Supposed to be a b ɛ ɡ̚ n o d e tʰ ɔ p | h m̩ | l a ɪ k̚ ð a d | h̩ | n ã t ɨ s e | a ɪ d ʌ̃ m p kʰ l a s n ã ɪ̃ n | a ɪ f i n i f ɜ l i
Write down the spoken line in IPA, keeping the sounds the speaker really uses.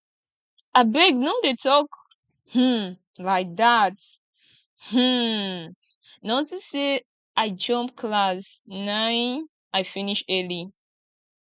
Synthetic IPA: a b ɛ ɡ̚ n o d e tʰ ɔ k | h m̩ | l a ɪ k̚ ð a t | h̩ | n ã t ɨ s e | a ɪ d͡ʒ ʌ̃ m p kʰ l a s n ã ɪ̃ n | a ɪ f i n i ʃ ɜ l i